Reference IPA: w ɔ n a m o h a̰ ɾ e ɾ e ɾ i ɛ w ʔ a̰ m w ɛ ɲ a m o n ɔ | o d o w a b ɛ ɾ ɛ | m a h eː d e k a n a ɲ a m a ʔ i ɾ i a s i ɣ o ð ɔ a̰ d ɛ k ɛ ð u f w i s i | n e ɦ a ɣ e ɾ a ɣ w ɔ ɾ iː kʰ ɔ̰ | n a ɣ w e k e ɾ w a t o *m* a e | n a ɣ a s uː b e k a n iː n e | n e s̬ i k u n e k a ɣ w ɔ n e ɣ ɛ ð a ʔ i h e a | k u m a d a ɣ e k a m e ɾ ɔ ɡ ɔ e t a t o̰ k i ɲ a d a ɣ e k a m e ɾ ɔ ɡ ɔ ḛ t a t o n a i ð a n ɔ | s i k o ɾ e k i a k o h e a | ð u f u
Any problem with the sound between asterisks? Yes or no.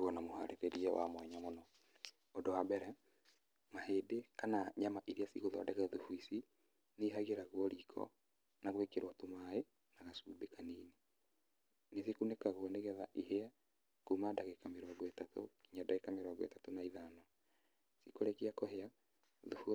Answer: no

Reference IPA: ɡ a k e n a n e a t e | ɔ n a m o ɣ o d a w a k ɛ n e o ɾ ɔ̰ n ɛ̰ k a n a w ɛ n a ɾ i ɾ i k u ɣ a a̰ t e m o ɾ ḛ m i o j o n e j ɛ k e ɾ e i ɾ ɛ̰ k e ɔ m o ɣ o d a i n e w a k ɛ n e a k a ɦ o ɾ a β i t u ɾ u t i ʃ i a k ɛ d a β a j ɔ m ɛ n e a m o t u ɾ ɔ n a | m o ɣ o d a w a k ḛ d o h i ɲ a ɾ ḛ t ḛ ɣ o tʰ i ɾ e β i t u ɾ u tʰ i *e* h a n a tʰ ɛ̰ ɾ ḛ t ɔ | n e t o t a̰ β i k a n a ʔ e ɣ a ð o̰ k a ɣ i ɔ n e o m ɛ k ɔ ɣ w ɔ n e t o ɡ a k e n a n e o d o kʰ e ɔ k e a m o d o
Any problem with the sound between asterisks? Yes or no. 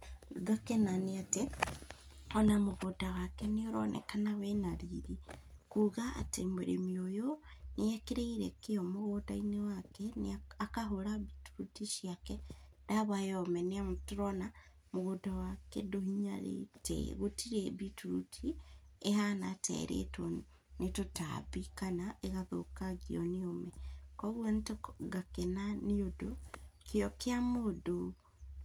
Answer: no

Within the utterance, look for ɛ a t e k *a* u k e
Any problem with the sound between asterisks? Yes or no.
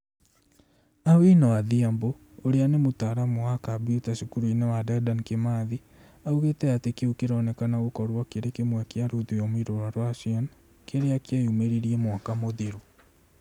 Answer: yes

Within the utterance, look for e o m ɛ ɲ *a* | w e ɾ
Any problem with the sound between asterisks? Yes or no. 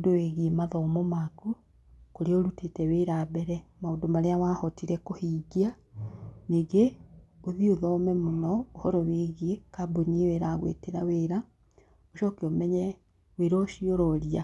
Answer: yes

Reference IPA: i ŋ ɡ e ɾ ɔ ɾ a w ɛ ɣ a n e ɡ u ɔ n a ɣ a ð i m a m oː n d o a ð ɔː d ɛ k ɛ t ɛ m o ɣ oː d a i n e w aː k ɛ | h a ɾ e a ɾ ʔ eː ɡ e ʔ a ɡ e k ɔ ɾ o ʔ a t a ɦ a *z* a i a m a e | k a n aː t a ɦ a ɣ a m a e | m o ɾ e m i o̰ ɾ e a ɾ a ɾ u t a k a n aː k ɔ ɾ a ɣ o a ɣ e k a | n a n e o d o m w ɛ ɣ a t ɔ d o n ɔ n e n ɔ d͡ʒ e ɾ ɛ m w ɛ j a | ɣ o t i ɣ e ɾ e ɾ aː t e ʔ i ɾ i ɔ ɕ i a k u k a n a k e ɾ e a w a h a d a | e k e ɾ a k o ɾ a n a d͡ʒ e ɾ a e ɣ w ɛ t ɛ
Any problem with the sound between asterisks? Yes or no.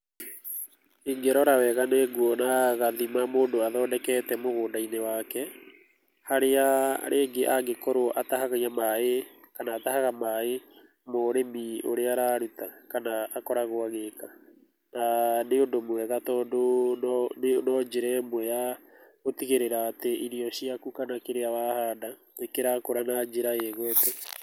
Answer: yes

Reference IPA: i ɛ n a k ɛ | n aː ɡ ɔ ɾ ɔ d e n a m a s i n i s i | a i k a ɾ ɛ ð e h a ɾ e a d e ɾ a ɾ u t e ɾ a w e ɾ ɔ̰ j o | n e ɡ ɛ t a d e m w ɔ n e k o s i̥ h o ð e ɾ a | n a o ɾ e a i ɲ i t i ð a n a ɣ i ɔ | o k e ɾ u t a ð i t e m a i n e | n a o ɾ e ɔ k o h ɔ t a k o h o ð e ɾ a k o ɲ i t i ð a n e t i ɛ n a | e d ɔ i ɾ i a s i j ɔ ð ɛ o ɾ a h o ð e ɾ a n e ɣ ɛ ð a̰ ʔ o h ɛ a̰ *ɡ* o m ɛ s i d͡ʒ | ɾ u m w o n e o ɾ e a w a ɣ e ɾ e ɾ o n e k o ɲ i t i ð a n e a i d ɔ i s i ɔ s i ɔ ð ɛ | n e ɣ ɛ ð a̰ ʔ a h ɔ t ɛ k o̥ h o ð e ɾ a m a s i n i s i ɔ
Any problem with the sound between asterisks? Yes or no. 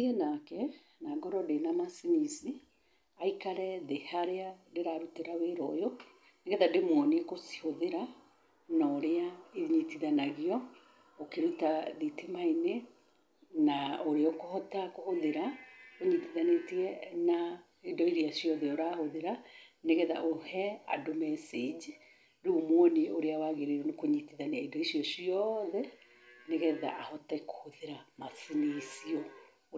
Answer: yes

